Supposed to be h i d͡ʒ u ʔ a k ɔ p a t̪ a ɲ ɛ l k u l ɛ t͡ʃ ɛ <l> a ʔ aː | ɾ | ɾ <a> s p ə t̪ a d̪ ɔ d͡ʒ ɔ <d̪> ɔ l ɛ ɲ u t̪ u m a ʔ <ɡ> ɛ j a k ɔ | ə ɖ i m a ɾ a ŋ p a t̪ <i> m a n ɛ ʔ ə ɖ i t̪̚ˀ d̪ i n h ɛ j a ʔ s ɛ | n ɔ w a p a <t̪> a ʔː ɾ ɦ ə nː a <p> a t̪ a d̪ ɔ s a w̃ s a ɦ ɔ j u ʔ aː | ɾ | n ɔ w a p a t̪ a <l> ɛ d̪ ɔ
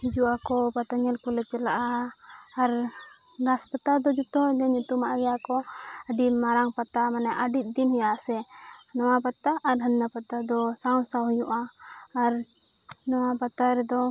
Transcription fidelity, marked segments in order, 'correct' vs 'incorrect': correct, correct, incorrect: t̪, correct, incorrect: a, correct, correct, incorrect: ɾ

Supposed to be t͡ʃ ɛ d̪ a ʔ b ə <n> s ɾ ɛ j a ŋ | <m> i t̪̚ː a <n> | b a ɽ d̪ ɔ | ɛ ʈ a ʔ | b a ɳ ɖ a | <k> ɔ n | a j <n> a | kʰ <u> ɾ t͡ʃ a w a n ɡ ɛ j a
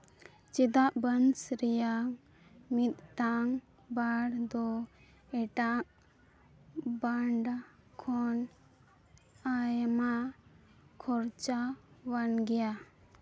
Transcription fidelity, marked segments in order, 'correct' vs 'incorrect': correct, correct, incorrect: ŋ, incorrect: kʰ, incorrect: m, incorrect: ɔ

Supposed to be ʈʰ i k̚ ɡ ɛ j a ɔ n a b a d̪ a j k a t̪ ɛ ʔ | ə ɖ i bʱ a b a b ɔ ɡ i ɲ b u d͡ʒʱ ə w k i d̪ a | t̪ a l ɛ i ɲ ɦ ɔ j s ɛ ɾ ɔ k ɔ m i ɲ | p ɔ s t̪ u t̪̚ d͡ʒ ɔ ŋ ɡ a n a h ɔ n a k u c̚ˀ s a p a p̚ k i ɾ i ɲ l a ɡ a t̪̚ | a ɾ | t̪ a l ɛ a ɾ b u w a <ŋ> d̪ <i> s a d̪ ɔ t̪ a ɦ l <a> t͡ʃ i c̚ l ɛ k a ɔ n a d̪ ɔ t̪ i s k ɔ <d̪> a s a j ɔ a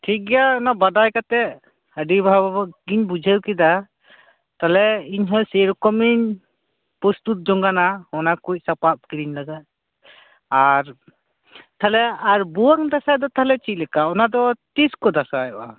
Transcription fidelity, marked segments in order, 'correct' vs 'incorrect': correct, incorrect: a, incorrect: ɛ, correct

